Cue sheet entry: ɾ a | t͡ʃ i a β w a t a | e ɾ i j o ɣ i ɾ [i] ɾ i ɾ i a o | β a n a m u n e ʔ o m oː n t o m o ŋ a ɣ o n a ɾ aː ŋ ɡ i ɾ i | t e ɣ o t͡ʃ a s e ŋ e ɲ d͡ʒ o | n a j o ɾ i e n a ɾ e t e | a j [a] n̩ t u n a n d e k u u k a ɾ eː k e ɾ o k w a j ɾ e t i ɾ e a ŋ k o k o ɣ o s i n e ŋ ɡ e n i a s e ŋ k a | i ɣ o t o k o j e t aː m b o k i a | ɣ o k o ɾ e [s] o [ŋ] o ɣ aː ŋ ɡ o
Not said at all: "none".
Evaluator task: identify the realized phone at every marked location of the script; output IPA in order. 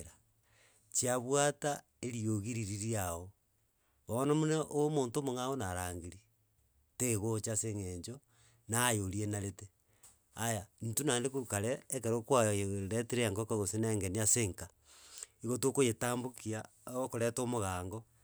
i, a, t, m

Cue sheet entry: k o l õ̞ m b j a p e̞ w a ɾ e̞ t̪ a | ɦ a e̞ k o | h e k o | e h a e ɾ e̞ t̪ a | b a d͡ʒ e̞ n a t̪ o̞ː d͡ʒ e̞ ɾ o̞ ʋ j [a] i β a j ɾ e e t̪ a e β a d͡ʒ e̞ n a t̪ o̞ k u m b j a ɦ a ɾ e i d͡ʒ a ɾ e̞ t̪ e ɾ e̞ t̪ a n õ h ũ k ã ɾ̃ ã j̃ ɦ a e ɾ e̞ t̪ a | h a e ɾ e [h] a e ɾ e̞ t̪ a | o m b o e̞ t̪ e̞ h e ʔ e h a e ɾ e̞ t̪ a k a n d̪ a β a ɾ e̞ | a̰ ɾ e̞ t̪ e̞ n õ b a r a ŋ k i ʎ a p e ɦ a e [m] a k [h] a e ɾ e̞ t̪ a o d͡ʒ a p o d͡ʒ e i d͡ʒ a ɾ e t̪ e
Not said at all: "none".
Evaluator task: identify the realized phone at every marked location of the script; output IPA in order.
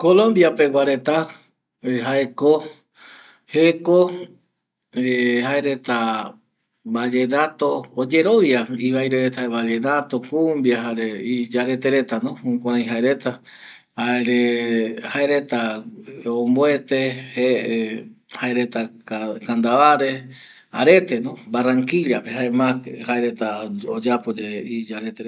a, h, m, h

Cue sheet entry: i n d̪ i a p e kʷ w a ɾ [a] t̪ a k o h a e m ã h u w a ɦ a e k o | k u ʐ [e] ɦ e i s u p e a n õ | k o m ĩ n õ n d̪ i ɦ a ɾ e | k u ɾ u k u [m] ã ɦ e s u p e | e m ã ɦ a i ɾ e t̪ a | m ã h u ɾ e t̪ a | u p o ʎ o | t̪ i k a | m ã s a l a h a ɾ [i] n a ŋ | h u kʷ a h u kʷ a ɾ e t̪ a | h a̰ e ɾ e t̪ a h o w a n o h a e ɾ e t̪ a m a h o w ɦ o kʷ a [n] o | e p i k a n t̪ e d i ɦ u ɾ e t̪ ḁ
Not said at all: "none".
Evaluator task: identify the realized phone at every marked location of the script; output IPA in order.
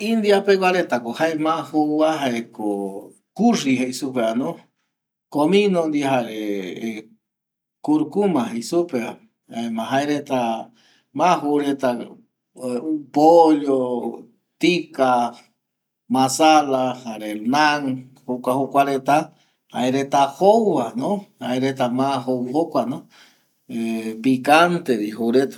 e, i, m, e, n

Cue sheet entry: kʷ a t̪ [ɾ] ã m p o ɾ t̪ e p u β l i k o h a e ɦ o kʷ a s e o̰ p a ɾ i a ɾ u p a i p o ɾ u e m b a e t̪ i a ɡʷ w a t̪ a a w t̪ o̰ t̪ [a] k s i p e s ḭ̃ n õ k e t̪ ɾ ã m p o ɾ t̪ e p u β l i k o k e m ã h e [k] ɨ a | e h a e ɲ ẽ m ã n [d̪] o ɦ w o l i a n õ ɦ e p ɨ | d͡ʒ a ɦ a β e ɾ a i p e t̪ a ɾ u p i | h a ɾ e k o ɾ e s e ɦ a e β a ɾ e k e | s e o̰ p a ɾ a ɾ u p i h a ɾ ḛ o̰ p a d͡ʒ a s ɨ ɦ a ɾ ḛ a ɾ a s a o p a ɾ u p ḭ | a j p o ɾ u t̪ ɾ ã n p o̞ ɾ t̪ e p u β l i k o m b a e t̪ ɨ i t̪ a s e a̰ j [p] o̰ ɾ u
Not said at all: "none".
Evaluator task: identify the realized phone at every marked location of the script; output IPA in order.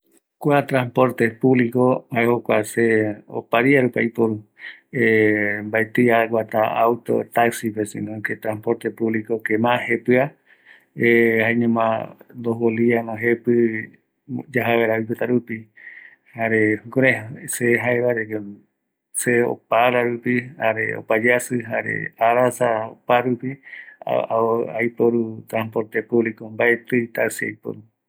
ɾ, a, p, d̪, p

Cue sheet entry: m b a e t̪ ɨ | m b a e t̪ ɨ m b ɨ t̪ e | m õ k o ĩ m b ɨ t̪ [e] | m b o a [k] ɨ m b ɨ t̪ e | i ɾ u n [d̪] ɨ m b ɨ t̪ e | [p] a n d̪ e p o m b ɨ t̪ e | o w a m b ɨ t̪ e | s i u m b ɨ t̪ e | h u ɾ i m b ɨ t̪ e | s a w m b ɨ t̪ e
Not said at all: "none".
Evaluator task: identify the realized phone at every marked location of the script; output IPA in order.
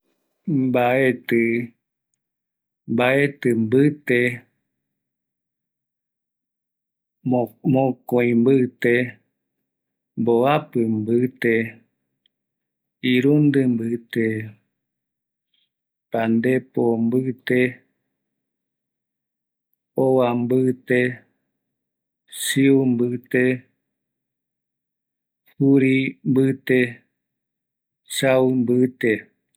e, p, d̪, p

